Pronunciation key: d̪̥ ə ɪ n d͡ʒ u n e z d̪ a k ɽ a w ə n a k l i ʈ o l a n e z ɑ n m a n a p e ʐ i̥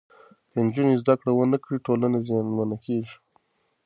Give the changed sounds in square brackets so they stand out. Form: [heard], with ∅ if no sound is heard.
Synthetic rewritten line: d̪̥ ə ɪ n d͡ʒ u n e z d̪ a k ɽ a w ə n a k [ɽ] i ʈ o l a n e z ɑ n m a n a [k] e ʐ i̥